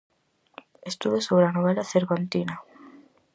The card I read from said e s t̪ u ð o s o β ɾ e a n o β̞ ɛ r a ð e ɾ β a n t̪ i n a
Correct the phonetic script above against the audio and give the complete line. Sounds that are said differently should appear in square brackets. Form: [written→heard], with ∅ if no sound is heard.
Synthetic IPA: e s t̪ u ð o s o β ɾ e a n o β̞ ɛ [r→l] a [ð→θ] e ɾ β a n t̪ i n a